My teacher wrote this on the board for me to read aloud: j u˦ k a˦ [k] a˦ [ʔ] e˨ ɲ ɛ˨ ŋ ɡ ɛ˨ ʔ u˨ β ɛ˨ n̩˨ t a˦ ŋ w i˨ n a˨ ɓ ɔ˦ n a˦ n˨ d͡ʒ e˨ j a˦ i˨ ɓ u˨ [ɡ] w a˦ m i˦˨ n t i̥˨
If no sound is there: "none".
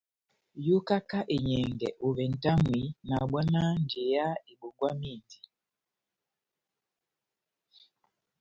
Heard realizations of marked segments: k, ʔ, ɡ

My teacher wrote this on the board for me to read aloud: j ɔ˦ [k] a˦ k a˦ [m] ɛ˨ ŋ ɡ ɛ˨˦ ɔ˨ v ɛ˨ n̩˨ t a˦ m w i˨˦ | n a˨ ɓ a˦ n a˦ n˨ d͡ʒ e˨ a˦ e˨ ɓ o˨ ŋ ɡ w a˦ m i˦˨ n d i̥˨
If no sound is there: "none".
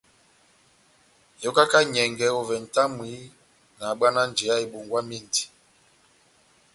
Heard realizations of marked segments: k, ɲ

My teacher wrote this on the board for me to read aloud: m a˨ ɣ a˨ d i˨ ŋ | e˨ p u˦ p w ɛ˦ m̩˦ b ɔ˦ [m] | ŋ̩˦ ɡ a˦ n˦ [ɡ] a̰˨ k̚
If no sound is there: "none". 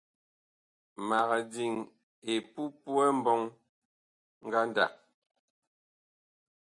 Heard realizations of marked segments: ŋ, d

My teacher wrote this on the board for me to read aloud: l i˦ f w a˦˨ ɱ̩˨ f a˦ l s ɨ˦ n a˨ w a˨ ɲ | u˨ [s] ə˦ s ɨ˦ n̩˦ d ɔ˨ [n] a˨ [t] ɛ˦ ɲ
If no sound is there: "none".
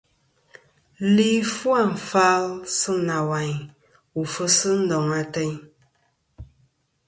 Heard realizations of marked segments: f, ŋ, t

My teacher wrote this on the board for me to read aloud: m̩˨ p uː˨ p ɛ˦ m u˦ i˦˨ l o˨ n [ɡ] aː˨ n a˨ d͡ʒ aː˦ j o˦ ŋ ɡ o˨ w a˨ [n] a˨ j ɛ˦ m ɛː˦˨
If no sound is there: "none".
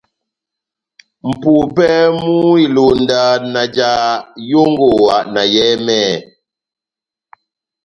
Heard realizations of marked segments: d, n

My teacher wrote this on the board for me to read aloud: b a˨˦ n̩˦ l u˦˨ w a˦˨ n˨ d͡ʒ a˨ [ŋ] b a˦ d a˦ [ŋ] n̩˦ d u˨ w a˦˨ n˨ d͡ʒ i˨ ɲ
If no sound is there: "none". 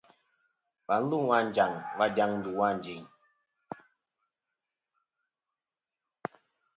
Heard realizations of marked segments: ŋ, ŋ

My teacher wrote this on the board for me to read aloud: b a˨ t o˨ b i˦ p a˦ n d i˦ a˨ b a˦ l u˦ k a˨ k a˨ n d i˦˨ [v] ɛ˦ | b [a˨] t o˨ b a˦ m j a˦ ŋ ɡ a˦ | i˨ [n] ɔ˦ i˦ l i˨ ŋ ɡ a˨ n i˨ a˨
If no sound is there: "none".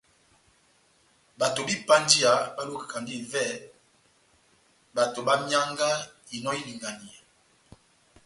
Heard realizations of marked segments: v, a˨, n

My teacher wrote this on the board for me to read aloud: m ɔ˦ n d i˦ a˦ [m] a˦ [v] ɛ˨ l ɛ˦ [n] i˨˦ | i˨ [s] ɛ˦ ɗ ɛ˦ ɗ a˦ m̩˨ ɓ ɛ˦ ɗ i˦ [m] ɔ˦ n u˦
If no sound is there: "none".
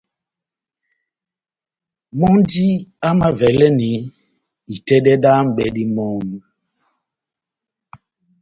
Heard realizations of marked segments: m, v, n, t, m

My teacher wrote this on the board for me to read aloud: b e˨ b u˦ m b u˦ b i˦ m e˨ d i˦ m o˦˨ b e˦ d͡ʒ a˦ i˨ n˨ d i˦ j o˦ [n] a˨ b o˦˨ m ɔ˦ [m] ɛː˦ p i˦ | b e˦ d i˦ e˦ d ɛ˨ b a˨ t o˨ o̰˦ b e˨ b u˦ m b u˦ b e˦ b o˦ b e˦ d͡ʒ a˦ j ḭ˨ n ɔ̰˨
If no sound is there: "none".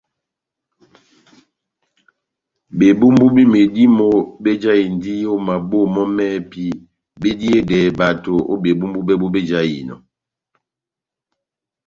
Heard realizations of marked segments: m, m

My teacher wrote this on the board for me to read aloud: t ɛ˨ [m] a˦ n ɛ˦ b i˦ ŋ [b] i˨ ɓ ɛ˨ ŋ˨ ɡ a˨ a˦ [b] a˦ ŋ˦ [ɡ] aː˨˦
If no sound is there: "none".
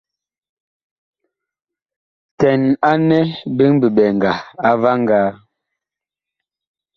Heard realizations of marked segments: n, b, v, ɡ

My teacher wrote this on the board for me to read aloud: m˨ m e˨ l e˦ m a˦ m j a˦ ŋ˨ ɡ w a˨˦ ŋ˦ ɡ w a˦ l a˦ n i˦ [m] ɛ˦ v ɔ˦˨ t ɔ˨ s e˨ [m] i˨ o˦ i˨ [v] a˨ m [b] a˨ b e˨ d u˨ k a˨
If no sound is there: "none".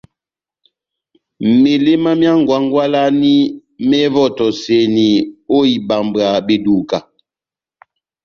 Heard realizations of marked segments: m, n, b, b

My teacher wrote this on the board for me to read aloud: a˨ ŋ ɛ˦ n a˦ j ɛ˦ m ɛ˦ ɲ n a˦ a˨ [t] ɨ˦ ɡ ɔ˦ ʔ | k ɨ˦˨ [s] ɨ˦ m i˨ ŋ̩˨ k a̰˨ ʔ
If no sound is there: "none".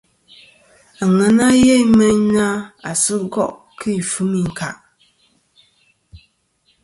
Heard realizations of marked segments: s, f

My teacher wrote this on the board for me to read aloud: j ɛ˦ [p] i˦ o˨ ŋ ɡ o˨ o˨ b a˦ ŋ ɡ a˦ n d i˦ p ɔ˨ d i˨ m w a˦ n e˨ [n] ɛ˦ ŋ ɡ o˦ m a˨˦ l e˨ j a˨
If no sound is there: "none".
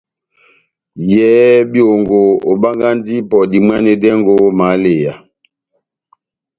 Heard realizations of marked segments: b, d

